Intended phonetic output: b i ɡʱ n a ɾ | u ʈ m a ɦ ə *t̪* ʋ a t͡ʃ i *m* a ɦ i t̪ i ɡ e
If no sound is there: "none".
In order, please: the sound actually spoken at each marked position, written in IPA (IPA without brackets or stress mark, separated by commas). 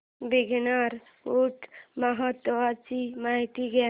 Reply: t̪, m